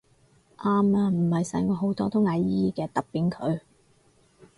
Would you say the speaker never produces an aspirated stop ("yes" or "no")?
no